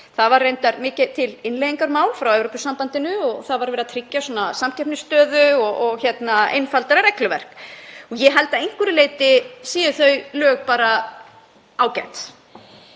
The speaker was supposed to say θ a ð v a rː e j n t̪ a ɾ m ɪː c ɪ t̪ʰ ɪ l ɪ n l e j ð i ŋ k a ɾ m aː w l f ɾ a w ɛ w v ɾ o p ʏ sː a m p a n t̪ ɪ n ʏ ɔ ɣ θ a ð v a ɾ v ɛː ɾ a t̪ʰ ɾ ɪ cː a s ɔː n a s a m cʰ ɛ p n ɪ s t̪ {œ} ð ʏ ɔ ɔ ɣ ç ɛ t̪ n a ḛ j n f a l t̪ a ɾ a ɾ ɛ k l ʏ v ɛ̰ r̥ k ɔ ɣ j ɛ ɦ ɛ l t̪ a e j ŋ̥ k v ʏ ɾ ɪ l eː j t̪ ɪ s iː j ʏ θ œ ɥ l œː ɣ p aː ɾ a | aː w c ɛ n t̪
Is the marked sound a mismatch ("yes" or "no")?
yes